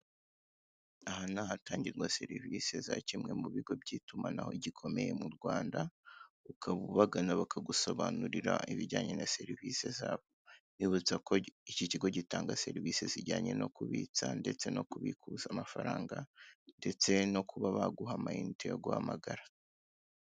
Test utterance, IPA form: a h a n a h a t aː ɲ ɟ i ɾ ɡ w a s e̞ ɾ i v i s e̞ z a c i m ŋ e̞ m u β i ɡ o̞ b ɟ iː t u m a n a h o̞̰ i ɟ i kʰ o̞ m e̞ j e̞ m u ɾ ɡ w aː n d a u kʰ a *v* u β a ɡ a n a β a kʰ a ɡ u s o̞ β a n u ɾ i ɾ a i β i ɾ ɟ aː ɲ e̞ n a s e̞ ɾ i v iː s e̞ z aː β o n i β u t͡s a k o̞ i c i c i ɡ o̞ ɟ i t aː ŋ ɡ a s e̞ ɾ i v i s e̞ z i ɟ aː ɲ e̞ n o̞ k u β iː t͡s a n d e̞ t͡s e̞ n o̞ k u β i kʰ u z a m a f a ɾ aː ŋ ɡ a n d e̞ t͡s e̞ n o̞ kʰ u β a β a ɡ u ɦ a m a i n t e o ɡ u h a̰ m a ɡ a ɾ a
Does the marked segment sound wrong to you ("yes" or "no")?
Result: yes